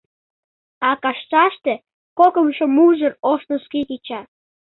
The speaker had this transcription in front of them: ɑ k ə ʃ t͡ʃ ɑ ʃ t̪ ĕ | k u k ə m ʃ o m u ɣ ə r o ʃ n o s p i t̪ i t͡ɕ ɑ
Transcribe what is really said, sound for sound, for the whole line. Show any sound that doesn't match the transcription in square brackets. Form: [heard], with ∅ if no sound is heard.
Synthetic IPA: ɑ k [ɑ] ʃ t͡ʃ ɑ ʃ t̪ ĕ | k [o] k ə m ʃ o m u [ʒ] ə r o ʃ n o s [k] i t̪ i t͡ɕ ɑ